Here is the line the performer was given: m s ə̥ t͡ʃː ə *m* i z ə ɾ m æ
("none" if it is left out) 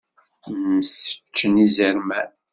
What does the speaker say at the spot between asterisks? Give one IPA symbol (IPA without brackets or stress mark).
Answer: n